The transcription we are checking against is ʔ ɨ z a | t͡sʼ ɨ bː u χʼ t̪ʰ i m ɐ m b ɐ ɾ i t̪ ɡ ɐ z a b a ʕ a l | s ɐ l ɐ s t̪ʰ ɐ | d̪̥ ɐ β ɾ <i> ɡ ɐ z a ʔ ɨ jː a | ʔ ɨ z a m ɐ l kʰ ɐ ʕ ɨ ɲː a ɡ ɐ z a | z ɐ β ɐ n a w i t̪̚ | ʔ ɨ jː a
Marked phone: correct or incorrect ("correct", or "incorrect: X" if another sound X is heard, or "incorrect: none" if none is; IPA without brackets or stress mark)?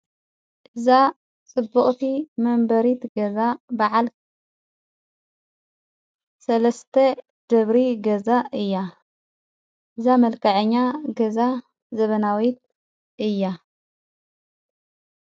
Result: correct